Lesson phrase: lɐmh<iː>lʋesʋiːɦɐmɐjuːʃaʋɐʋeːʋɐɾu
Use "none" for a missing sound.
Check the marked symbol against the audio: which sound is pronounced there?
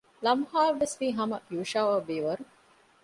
aː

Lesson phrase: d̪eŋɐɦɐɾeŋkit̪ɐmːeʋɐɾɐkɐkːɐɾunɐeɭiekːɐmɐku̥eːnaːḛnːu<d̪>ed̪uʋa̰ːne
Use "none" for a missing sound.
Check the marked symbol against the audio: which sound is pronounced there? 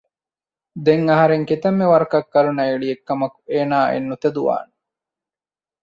t̪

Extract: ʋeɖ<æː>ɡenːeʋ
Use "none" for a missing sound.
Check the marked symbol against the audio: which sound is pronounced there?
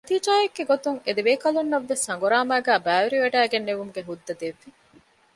æː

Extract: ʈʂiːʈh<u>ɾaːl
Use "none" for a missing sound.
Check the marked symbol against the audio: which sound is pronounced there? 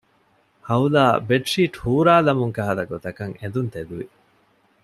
uː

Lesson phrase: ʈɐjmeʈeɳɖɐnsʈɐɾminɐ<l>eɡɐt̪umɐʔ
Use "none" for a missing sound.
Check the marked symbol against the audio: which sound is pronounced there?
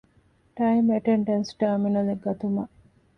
l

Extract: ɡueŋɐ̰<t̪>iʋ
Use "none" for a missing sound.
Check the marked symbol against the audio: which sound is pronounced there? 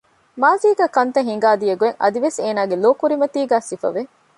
d̪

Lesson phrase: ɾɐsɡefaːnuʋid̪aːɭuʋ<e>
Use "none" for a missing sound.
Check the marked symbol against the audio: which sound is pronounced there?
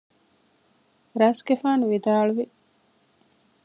i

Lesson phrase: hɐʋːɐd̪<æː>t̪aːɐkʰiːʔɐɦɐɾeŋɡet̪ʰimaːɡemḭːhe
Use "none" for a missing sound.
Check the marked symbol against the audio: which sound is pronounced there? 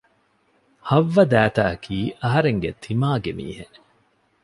æː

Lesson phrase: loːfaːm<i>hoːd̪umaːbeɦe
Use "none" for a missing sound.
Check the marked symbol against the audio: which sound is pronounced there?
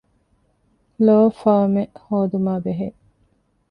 e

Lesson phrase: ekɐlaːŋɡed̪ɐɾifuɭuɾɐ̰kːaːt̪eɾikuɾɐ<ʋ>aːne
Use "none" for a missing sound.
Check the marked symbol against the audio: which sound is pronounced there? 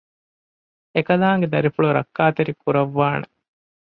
ʋː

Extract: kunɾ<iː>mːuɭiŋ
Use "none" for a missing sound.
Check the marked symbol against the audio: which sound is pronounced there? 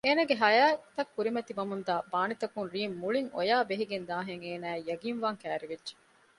iː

